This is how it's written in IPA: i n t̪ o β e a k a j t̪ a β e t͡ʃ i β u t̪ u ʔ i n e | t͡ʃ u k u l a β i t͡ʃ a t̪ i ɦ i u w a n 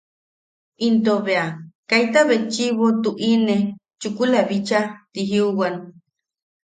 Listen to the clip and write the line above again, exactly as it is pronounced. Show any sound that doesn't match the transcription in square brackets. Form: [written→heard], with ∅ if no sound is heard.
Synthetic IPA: i n t̪ o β e a k a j t̪ a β e t͡ʃ i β [u→o] t̪ u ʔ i n e | t͡ʃ u k u l a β i t͡ʃ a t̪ i ɦ i u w a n